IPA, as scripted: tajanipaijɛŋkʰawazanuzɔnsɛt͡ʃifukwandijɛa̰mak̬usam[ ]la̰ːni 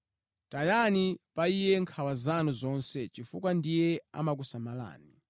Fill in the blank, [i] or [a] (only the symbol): a